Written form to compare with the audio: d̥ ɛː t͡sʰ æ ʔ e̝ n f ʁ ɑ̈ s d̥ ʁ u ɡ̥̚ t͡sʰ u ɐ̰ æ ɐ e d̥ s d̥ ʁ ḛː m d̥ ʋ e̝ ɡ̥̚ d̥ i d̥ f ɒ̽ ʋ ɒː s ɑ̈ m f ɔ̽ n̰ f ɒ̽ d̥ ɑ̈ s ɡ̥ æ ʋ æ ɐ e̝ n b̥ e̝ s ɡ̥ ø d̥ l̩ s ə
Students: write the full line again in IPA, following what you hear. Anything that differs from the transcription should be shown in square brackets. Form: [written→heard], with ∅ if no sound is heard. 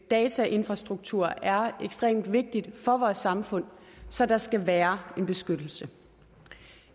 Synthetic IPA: d̥ ɛː t͡sʰ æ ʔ e̝ n f ʁ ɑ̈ s d̥ ʁ u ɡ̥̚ t͡sʰ u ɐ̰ æ ɐ e [d̥→ɡ̥] s d̥ ʁ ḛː m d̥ ʋ e̝ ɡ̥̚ d̥ i d̥ f ɒ̽ ʋ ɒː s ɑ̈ m f ɔ̽ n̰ [f→s] ɒ̽ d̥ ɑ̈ s ɡ̥ æ ʋ [æ→æː] ɐ e̝ n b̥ e̝ s ɡ̥ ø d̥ l̩ s ə

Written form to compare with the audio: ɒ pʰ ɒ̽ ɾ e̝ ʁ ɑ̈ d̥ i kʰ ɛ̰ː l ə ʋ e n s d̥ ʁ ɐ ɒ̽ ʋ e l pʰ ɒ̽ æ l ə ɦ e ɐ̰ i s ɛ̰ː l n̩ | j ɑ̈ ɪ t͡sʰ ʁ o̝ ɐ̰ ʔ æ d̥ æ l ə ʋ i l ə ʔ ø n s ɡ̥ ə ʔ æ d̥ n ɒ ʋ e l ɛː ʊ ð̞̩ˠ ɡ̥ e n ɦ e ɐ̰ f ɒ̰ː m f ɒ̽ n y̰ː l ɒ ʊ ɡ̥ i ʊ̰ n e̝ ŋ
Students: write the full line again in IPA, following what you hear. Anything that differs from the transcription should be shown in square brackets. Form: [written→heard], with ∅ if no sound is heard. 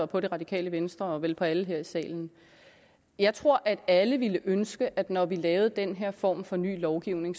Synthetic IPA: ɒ pʰ ɒ̽ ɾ e̝ ʁ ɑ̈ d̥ i kʰ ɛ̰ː l ə ʋ e n s d̥ ʁ ɐ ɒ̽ ʋ e l pʰ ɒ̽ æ l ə ɦ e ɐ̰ i s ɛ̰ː l n̩ | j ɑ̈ ɪ t͡sʰ ʁ o̝ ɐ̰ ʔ æ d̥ æ l ə ʋ i l ə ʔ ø n s ɡ̥ ə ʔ æ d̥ n ɒ ʋ [e→i] l ɛː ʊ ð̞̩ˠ [ɡ̥→d̥] e n ɦ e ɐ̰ f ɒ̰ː m f ɒ̽ n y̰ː l ɒ ʊ ɡ̥ i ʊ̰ n e̝ ŋ

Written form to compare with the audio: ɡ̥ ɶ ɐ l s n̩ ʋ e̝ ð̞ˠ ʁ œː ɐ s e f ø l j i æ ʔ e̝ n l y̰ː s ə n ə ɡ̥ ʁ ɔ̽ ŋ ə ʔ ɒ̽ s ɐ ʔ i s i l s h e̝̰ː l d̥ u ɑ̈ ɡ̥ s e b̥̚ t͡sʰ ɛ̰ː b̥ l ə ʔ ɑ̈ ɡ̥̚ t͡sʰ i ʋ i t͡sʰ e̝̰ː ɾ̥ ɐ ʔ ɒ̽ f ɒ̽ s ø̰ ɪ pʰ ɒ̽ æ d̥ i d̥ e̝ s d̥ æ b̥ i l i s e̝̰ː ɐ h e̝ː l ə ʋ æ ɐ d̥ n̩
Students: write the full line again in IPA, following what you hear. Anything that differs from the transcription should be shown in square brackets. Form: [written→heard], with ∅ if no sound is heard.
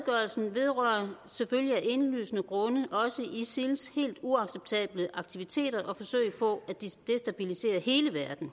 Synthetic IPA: ɡ̥ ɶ ɐ l s n̩ ʋ e̝ ð̞ˠ ʁ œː ɐ s e f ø l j i æ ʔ e̝ n l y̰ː s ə n ə ɡ̥ ʁ ɔ̽ [ŋ→n] ə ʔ ɒ̽ s [ɐ→ə] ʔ i s i l s h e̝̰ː l d̥ u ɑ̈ ɡ̥ s e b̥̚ t͡sʰ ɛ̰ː b̥ l ə ʔ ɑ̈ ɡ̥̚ t͡sʰ i ʋ i t͡sʰ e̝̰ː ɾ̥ ɐ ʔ ɒ̽ f ɒ̽ s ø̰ ɪ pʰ ɒ̽ æ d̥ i d̥ e̝ s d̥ æ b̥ i l i s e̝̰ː ɐ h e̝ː l ə ʋ æ ɐ d̥ n̩

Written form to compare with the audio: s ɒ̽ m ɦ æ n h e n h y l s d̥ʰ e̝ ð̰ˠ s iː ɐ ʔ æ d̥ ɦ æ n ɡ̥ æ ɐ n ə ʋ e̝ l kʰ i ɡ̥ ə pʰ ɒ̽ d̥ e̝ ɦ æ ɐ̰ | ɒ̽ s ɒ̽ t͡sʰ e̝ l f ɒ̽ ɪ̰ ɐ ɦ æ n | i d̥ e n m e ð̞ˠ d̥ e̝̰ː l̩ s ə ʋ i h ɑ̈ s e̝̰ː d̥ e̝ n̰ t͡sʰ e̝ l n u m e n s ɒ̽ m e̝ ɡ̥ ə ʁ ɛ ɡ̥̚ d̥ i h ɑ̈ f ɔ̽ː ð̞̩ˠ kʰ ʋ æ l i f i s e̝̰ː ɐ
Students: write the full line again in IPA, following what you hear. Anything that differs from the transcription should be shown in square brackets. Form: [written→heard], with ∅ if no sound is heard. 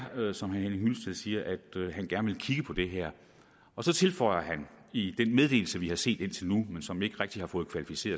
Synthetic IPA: s ɒ̽ m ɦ æ n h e n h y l s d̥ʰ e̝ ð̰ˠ s iː ɐ ʔ æ d̥ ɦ æ n ɡ̥ æ ɐ n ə ʋ e̝ l kʰ i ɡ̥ ə pʰ ɒ̽ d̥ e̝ ɦ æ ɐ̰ | ɒ̽ s ɒ̽ t͡sʰ e̝ l f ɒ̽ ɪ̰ ɐ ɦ æ n | i d̥ e n m e ð̞ˠ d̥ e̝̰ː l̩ s ə ʋ i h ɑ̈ s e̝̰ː d̥ e̝ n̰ t͡sʰ e̝ l n u m e n s ɒ̽ m e̝ ɡ̥ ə ʁ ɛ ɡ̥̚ d̥ i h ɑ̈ f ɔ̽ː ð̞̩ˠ kʰ ʋ æ l i f i s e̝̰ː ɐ

